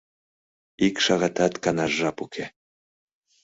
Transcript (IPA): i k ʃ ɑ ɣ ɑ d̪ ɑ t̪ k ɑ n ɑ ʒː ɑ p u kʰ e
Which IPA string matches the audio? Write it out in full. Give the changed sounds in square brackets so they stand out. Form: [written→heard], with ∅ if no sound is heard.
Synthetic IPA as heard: i k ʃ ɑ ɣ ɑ [d̪→t̪] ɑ t̪ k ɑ n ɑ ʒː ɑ p u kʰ e